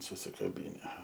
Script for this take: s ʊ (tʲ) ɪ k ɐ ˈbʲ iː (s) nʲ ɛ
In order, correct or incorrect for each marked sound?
incorrect, incorrect

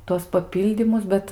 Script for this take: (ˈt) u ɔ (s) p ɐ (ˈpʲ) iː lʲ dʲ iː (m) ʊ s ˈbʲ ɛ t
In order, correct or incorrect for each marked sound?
correct, correct, correct, correct

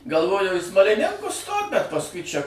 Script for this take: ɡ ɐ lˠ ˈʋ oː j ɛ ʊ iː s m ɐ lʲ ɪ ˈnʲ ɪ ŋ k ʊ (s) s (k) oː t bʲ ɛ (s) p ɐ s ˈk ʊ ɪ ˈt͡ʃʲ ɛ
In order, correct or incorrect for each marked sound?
correct, incorrect, incorrect

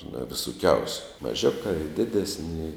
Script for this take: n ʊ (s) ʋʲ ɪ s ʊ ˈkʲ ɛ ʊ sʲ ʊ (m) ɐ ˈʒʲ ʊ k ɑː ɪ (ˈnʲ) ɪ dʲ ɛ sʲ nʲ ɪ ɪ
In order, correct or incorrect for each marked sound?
incorrect, correct, incorrect

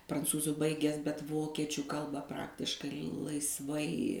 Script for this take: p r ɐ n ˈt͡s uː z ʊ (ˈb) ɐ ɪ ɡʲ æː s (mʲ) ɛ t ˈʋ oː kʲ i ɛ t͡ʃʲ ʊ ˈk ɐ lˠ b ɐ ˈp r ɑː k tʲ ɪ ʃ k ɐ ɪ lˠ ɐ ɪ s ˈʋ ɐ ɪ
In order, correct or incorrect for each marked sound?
correct, incorrect

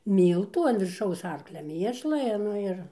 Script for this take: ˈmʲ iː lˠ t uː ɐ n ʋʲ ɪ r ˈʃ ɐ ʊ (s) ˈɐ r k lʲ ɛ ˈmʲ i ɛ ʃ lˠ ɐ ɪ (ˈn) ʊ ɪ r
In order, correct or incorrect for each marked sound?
correct, correct

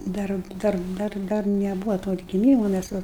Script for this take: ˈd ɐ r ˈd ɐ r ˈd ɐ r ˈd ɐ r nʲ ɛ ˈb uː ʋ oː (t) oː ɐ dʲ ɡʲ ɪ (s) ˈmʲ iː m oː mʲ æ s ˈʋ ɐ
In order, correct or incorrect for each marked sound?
correct, incorrect

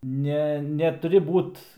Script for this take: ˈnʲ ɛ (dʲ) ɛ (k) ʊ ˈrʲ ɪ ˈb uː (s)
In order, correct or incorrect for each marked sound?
incorrect, incorrect, incorrect

